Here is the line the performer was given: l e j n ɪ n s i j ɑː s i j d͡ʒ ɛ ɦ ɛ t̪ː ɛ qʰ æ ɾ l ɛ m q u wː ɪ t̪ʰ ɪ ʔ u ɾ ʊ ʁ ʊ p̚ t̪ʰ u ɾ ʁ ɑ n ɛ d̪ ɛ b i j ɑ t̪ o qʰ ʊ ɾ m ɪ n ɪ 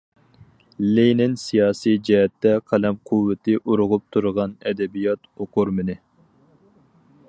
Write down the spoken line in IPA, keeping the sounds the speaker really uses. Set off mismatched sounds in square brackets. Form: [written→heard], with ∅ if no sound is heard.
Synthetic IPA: l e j n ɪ n s i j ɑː s i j d͡ʒ ɛ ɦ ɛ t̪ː ɛ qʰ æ [ɾ→∅] l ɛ m [q→qʰ] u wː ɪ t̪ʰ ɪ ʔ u ɾ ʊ ʁ ʊ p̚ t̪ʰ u ɾ ʁ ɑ n ɛ d̪ ɛ b i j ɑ t̪ o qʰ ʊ ɾ m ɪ n ɪ